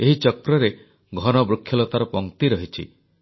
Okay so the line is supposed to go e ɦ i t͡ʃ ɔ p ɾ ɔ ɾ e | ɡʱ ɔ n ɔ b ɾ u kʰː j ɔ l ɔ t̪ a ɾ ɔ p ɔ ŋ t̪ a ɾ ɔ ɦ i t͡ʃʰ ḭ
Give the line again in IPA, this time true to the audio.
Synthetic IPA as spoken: e ɦ i t͡ʃ ɔ k ɾ ɔ ɾ e | ɡʱ ɔ n ɔ b ɾ u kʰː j ɔ l ɔ t̪ a ɾ ɔ p ɔ ŋ t̪ i ɾ ɔ ɦ i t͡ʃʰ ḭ